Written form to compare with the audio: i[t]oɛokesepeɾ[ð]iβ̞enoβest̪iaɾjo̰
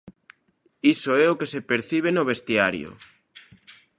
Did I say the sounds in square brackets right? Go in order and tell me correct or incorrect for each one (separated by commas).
incorrect, incorrect